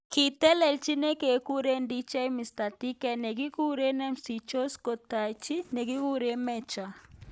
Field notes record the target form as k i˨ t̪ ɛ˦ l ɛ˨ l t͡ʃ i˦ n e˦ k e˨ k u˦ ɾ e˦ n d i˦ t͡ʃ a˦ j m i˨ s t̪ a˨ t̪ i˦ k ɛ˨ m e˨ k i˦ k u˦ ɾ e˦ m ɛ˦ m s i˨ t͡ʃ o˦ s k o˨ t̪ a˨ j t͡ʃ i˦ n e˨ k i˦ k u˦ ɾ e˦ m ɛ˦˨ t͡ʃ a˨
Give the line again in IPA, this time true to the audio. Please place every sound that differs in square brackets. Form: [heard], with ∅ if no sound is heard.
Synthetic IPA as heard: k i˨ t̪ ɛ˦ l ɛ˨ l t͡ʃ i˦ n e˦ k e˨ k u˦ ɾ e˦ n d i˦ t͡ʃ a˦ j m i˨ s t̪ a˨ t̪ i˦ k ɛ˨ [n] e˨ k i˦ k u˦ ɾ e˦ [n] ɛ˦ m s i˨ t͡ʃ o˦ s k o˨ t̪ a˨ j t͡ʃ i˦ n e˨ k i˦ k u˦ ɾ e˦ m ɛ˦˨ t͡ʃ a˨